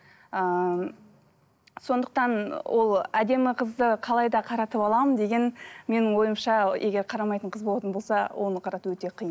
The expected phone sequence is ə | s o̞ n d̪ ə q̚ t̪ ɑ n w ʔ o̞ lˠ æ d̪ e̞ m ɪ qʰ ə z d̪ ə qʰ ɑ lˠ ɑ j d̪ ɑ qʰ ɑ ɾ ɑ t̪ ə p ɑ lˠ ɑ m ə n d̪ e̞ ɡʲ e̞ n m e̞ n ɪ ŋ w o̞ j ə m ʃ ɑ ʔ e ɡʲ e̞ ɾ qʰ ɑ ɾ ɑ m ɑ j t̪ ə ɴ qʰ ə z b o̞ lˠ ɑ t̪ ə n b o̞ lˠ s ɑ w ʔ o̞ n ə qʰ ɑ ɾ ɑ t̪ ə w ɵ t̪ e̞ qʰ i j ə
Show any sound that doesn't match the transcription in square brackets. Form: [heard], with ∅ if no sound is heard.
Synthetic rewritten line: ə | s o̞ n d̪ ə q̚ t̪ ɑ n w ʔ o̞ lˠ æ d̪ e̞ m ɪ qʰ ə z d̪ ə qʰ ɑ lˠ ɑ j d̪ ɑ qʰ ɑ ɾ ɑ t̪ ə p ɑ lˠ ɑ m ə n d̪ e̞ ɡʲ e̞ n m e̞ n ɪ ŋ w o̞ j ə m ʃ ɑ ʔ e ɡʲ e̞ ɾ qʰ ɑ ɾ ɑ m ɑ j t̪ ə ɴ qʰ ə z b o̞ lˠ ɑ t̪ ə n b o̞ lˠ s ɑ w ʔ o̞ n ə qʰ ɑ ɾ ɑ t̪ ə w ɵ t̪ e̞ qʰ i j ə